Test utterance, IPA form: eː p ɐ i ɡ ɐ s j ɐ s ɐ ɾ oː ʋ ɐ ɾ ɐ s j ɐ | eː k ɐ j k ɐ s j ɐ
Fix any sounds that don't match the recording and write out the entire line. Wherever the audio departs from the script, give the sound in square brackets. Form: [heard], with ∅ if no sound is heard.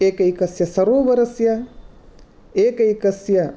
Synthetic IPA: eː [k] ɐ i [k] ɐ s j ɐ s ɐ ɾ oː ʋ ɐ ɾ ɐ s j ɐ | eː k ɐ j k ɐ s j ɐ